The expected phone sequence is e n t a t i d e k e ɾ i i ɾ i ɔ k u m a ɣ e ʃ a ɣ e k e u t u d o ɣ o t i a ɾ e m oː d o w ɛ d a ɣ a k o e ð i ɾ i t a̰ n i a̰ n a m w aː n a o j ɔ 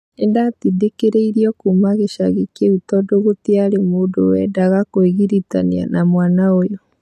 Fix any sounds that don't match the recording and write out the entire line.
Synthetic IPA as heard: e n d a t i d e k e ɾ e i ɾ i ɔ k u m a ɣ e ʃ a ɣ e k e u t ɔ d o ɣ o t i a ɾ e m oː d o w ɛ d a ɣ a k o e ɣ i ɾ i t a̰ n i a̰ n a m w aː n a o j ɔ